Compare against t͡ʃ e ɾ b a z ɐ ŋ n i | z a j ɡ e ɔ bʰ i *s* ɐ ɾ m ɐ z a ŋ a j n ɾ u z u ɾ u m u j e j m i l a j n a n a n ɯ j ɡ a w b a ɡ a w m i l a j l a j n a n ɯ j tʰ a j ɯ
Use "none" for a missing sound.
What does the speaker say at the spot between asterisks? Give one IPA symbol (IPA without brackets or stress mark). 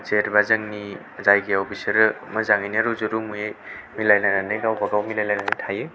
s